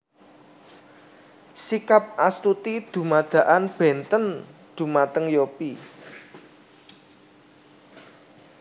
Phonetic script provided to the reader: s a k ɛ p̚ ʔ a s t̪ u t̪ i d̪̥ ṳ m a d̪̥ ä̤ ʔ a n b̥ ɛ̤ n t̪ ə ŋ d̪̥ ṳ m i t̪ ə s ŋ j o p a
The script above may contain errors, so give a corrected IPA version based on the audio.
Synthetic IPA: s i k a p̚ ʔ a s t̪ u t̪ i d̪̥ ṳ m a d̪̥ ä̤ ʔ a n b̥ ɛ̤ n t̪ ə n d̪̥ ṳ m a t̪ ə ŋ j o p i